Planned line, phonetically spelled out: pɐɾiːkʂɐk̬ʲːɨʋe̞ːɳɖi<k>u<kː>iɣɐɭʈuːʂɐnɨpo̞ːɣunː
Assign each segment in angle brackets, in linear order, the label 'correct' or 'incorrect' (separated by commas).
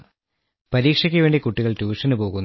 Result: correct, incorrect